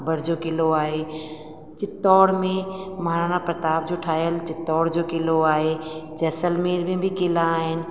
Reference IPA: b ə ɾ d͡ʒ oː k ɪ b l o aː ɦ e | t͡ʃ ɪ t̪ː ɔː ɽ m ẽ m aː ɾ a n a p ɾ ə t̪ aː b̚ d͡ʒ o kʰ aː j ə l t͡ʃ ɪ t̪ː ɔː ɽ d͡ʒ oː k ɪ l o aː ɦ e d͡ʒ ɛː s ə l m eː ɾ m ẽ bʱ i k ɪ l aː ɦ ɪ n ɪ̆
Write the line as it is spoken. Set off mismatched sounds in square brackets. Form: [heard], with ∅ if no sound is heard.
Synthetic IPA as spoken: b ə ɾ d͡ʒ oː k ɪ [∅] l o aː ɦ e | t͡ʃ ɪ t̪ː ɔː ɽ m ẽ m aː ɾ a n a p ɾ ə t̪ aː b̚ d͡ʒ o [ʈʰ] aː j ə l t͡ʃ ɪ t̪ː ɔː ɽ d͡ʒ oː k ɪ l o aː ɦ e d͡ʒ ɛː s ə l m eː ɾ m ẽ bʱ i k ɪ l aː ɦ ɪ n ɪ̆